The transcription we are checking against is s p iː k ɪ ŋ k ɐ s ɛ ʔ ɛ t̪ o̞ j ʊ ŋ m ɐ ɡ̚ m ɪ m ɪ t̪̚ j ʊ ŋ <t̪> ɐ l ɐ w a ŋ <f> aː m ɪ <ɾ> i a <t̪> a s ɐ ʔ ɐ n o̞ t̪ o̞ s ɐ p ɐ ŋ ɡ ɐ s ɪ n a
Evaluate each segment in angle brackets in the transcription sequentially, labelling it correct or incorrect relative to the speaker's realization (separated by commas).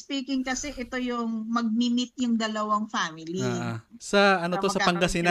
incorrect, correct, incorrect, incorrect